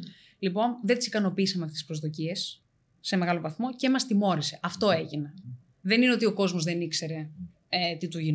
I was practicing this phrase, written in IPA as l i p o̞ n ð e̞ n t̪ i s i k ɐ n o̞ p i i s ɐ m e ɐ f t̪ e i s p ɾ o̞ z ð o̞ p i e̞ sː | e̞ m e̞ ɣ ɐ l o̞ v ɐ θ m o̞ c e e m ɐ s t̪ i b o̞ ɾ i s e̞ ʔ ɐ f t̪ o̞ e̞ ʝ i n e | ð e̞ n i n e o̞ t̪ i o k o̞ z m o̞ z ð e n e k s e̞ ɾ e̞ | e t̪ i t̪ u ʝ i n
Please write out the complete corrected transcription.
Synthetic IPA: l i p o̞ n ð e̞ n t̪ i s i k ɐ n o̞ p i i s ɐ m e ɐ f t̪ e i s p ɾ o̞ z ð o̞ c i e̞ sː | e̞ m e̞ ɣ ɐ l o̞ v ɐ θ m o̞ c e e m ɐ s t̪ i m o̞ ɾ i s e̞ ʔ ɐ f t̪ o̞ e̞ ʝ i n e | ð e̞ n i n e o̞ t̪ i o k o̞ z m o̞ z ð e n i k s e̞ ɾ e̞ | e t̪ i t̪ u ʝ i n